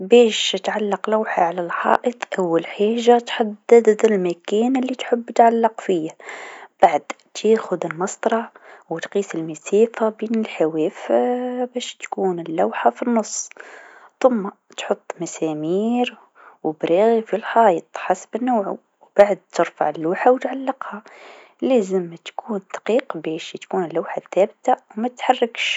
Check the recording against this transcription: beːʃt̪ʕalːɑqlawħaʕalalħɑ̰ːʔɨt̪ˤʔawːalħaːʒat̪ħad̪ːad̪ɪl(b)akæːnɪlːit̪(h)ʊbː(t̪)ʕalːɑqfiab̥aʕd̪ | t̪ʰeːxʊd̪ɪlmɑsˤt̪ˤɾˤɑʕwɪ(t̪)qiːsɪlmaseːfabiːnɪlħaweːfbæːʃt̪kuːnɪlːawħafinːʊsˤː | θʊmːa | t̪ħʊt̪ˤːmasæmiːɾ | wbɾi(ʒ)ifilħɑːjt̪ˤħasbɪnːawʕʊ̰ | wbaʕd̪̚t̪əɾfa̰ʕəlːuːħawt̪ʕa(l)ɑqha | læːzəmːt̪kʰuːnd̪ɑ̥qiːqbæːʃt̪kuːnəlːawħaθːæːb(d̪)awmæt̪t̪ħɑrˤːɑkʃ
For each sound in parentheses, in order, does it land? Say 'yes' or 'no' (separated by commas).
no, no, yes, yes, no, no, no